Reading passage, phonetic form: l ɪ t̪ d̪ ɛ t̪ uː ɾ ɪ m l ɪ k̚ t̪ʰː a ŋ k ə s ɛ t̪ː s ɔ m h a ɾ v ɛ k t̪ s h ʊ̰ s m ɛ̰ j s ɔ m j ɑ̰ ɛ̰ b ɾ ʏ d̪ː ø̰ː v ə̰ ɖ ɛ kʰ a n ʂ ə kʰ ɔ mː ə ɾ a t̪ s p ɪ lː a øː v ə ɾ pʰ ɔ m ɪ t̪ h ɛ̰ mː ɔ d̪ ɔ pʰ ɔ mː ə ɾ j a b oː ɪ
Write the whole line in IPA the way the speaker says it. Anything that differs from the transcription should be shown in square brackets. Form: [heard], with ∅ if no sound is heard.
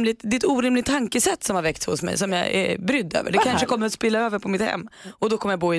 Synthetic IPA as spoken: l ɪ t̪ d̪ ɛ t̪ uː ɾ ɪ m l ɪ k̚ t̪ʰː a ŋ k ə s ɛ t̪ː s ɔ m h a ɾ v ɛ k t̪ s h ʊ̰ s m ɛ̰ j s ɔ m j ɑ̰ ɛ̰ b ɾ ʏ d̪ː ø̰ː v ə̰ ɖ ɛ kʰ a n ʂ ə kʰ ɔ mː ə ɾ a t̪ s p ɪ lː a øː v ə ɾ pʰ ɔ m ɪ t̪ h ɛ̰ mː ɔ d̪ ɔ [kʰ] ɔ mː ə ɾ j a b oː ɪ